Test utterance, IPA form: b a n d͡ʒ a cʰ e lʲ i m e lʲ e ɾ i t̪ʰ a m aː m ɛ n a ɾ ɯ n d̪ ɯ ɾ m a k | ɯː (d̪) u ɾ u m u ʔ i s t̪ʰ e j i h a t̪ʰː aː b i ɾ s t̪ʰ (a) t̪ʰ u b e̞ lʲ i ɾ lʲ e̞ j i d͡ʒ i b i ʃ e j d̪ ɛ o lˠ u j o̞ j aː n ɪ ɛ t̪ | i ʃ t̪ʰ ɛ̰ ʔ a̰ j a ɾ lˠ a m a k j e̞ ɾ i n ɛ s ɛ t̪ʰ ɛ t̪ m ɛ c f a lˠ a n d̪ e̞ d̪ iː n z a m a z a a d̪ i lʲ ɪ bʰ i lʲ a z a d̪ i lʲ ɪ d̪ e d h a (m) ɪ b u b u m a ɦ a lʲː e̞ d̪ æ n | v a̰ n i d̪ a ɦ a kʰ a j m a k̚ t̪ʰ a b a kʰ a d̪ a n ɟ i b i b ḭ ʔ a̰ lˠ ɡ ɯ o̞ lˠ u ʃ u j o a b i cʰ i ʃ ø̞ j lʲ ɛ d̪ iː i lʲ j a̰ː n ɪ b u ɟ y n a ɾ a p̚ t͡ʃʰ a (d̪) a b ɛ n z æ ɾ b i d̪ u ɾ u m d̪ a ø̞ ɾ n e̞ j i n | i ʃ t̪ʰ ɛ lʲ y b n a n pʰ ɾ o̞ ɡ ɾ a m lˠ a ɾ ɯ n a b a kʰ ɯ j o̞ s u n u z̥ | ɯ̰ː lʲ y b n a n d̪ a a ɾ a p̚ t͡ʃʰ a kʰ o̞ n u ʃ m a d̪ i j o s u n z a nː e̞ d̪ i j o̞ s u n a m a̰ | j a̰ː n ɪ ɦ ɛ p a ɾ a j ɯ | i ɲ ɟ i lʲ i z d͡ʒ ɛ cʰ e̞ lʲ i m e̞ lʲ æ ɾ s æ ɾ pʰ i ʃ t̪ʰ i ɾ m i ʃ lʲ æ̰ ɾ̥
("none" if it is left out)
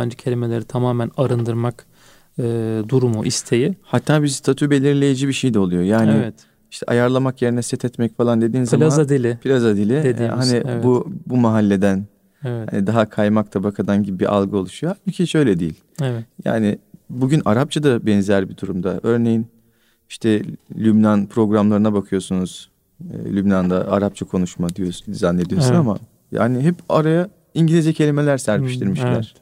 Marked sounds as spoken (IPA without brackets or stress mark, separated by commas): d̪, a, n, d̪